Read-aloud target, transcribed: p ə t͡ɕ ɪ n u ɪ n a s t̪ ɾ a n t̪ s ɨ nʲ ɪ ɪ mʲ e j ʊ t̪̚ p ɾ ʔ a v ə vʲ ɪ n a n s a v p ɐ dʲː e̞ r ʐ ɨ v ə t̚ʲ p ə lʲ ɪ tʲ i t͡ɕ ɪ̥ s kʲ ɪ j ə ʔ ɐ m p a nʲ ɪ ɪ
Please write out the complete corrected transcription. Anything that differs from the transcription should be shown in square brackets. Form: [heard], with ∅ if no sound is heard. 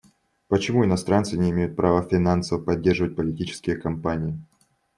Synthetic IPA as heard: p ə t͡ɕ ɪ [m] u ɪ n [ɐ] s t̪ ɾ a n t̪ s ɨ nʲ ɪ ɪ mʲ e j ʊ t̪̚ p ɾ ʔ a v ə [fʲ] ɪ n a n s [ə] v p ɐ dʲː e̞ r ʐ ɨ v ə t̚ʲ p ə lʲ ɪ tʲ i t͡ɕ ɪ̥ s kʲ ɪ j ə [k] ɐ m p a nʲ ɪ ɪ